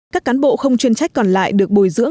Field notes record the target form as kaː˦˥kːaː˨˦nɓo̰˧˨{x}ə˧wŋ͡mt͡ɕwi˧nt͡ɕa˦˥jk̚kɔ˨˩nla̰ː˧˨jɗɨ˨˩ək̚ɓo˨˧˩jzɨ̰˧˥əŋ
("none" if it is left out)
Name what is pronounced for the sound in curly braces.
x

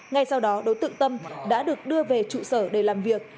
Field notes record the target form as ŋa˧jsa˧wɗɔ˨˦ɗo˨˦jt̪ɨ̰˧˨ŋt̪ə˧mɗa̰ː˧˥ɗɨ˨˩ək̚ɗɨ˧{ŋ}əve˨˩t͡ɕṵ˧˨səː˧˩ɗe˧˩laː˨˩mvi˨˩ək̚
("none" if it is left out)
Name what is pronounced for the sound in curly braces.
none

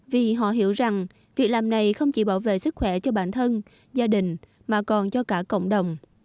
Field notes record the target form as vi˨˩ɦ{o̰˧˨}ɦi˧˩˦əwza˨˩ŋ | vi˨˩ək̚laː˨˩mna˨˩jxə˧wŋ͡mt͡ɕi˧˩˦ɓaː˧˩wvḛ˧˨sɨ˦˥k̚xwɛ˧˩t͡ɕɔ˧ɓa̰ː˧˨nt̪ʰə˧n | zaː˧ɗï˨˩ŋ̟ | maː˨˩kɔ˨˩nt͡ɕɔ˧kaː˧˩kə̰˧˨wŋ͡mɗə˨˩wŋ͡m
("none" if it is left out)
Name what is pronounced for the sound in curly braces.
ɔ̰˧˨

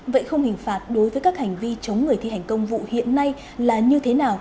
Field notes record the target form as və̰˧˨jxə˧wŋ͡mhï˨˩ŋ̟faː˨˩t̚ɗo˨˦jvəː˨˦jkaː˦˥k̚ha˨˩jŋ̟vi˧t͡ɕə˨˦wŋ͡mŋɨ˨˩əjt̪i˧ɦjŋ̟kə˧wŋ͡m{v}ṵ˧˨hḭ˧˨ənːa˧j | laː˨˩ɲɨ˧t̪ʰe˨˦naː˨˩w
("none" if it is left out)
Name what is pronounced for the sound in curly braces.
v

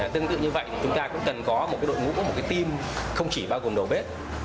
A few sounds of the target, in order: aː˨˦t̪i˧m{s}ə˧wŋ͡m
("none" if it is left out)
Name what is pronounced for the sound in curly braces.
x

